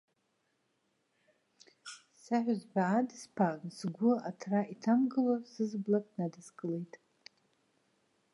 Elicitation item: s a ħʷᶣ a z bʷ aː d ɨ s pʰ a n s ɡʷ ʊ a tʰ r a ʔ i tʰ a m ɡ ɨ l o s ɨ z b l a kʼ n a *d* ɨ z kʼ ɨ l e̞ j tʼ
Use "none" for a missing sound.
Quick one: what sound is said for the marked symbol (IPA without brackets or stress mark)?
d